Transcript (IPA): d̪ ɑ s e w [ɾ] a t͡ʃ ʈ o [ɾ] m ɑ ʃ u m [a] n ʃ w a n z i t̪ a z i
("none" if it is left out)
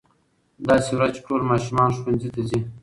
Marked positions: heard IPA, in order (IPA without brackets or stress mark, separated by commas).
ɾ, l, ɑ